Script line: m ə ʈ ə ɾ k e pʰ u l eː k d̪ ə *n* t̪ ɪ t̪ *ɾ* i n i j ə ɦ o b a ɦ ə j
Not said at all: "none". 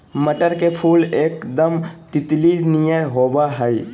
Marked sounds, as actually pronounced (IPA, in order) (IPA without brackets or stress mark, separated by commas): m, l